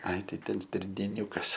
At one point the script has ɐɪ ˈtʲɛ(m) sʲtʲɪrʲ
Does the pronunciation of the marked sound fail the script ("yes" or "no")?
yes